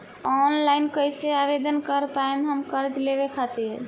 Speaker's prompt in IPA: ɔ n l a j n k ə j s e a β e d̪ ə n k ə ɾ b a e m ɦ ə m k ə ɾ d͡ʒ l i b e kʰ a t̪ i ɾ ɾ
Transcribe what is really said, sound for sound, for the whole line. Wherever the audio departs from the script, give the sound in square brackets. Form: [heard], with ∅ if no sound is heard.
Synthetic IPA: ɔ n l a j n k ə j s e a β e d̪ ə n k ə ɾ [p] a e m ɦ ə m k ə ɾ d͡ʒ l [e] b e kʰ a t̪ i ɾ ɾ